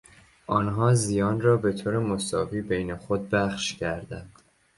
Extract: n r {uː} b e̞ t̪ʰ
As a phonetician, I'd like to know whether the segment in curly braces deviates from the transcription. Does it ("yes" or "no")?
yes